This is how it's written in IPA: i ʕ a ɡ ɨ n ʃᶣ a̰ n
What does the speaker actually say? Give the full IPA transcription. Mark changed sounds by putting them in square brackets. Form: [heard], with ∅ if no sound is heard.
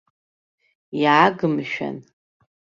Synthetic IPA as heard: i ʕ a ɡ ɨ [m] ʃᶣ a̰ n